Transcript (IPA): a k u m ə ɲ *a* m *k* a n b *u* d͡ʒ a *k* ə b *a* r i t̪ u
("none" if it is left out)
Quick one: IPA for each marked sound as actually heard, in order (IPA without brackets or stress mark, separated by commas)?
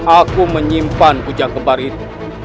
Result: i, p, u, k, a